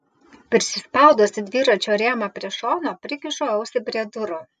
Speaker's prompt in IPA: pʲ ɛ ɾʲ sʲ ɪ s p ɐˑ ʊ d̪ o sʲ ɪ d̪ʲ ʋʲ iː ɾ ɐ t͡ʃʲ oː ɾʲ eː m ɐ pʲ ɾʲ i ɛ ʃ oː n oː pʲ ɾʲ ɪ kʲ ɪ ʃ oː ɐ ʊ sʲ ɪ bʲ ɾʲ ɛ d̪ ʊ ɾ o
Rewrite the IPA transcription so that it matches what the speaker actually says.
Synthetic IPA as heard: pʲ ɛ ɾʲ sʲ ɪ s p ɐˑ ʊ d̪ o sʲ ɪ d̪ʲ ʋʲ iː ɾ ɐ t͡ʃʲ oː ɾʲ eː m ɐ pʲ ɾʲ i ɛ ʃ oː n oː pʲ ɾʲ ɪ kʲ ɪ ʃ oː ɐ ʊ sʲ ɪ bʲ ɾʲ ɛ d̪ ʊ ɾ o

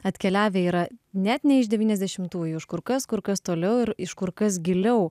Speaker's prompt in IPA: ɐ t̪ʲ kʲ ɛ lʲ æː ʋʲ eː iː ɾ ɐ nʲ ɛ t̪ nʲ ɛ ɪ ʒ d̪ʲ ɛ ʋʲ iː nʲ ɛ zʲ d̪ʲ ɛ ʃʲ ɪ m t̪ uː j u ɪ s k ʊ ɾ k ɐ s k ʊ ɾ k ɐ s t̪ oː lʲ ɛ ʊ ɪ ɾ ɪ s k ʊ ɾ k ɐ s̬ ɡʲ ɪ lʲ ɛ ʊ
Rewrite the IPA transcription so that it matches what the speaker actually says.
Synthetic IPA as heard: ɐ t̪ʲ kʲ ɛ lʲ æː ʋʲ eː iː ɾ ɐ nʲ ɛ t̪ nʲ ɛ ɪ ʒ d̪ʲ ɛ ʋʲ iː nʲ ɛ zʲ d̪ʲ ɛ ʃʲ ɪ m t̪ uː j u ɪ ʃ k ʊ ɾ k ɐ s k ʊ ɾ k ɐ s t̪ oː lʲ ɛ ʊ ɪ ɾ ɪ ʃ k ʊ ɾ k ɐ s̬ ɡʲ ɪ lʲ ɛ ʊ

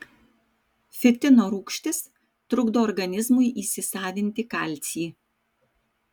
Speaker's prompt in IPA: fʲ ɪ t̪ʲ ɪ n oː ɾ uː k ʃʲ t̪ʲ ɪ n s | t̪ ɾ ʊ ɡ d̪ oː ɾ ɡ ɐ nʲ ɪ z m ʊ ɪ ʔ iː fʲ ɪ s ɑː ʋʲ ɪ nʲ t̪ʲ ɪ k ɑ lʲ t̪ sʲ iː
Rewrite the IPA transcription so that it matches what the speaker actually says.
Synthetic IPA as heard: fʲ ɪ t̪ʲ ɪ n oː ɾ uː k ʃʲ t̪ʲ ɪ s | t̪ ɾ ʊ ɡ d̪ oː ɾ ɡ ɐ nʲ ɪ z m ʊ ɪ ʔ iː sʲ ɪ s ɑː ʋʲ ɪ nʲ t̪ʲ ɪ k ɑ lʲ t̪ sʲ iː

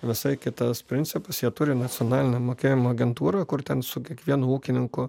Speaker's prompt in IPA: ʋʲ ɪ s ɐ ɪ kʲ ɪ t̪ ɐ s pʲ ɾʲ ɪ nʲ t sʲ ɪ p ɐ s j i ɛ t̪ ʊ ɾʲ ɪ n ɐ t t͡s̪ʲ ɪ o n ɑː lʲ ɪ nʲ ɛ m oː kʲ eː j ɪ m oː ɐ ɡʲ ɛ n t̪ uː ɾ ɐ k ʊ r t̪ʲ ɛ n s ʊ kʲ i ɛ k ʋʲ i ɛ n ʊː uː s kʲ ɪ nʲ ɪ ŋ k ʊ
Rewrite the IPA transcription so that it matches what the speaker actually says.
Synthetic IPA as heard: ʋʲ ɪ s ɐ ɪ kʲ ɪ t̪ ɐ s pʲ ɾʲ ɪ nʲ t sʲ ɪ p ɐ s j i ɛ t̪ ʊ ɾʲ ɪ n ɐ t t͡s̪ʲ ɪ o n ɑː lʲ ɪ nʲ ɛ m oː kʲ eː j ɪ m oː ɐ ɡʲ ɛ n t̪ uː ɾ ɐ k ʊ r t̪ʲ ɛ n s ʊ kʲ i ɛ k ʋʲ i ɛ n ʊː uː kʲ ɪ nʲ ɪ ŋ k ʊ

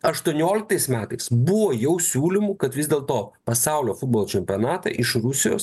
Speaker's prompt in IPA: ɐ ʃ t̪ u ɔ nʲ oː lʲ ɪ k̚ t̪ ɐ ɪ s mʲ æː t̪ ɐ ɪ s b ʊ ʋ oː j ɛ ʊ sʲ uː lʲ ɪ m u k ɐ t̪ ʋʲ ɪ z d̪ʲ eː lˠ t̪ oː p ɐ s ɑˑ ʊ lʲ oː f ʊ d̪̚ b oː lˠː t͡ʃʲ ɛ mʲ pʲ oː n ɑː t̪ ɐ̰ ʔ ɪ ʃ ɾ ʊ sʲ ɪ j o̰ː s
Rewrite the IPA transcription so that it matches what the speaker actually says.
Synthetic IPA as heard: ɐ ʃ t̪ u ɔ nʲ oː lʲ ɪ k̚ t̪ ɐ ɪ s mʲ æː t̪ ɐ ɪ s b ʊ ʋ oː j ɛ ʊ sʲ uː lʲ ɪ m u k ɐ t̪ ʋʲ ɪ z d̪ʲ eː lˠ t̪ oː p ɐ s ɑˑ ʊ lʲ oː f ʊ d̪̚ b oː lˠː t͡ʃʲ ɛ mʲ pʲ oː n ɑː t̪ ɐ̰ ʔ ɪ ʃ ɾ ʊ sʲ ɪ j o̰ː s

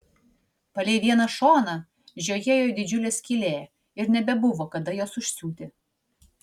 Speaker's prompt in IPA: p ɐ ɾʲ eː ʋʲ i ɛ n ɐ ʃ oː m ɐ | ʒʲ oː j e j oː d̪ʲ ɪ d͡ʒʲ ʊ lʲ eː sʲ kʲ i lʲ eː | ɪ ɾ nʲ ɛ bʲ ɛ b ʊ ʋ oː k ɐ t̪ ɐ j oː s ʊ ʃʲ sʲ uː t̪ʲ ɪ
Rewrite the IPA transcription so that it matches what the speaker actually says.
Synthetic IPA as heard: p ɐ lʲ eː ʋʲ i ɛ n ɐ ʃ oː n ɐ | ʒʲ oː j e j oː d̪ʲ ɪ d͡ʒʲ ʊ lʲ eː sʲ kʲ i lʲ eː | ɪ ɾ nʲ ɛ bʲ ɛ b ʊ ʋ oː k ɐ d̪ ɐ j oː s ʊ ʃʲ sʲ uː t̪ʲ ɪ

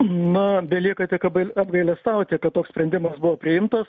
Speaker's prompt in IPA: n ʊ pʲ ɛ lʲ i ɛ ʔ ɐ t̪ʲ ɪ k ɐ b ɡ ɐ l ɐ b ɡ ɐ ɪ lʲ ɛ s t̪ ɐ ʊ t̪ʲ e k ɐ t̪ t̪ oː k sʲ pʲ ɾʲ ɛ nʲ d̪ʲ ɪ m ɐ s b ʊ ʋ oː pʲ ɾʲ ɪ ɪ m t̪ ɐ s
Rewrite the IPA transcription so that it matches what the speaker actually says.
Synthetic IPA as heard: n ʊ bʲ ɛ lʲ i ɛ k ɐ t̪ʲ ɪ k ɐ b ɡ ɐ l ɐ b ɡ ɐ ɪ lʲ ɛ s t̪ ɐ ʊ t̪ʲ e k ɐ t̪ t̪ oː k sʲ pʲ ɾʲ ɛ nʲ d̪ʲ ɪ m ɐ s b ʊ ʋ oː pʲ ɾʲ ɪ ɪ m t̪ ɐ s

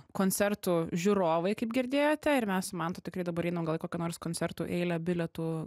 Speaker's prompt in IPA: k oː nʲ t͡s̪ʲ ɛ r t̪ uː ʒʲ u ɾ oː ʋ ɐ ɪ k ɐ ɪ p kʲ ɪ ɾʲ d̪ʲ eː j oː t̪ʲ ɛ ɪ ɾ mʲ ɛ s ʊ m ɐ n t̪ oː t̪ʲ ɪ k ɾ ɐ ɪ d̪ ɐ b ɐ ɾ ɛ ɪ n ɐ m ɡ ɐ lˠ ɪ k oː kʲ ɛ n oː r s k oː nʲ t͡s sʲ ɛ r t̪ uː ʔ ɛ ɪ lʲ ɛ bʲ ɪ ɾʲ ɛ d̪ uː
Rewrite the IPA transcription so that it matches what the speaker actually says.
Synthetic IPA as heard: k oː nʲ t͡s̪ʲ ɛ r t̪ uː ʒʲ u ɾ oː ʋ ɐ ɪ k ɐ ɪ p ɡʲ ɪ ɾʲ d̪ʲ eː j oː t̪ʲ ɛ ɪ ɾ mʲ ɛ s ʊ m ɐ n t̪ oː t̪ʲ ɪ k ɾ ɐ ɪ d̪ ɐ b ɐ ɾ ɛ ɪ n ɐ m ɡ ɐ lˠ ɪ k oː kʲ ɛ n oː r s k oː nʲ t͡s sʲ ɛ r t̪ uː ʔ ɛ ɪ lʲ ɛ bʲ ɪ lʲ ɛ t̪ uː

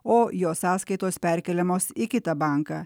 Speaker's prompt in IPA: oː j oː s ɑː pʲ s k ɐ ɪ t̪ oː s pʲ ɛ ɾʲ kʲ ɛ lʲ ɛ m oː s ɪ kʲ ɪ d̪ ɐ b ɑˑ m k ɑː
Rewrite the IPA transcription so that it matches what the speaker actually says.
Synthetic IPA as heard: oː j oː s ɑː s k ɐ ɪ t̪ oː s pʲ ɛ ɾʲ kʲ ɛ lʲ ɛ m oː s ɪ kʲ ɪ t̪ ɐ b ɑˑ ŋ k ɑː

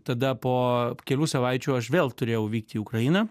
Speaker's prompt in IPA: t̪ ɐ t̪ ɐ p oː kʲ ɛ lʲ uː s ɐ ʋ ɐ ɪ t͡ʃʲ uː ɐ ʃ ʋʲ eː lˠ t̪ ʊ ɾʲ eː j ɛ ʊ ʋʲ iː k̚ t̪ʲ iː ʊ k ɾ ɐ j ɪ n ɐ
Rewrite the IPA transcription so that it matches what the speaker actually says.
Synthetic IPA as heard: t̪ ɐ d̪ ɐ p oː kʲ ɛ lʲ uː s ɐ ʋ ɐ ɪ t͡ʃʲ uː ɐ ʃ ʋʲ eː lˠ t̪ ʊ ɾʲ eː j ɛ ʊ ʋʲ iː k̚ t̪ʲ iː ʊ k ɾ ɐ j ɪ n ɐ

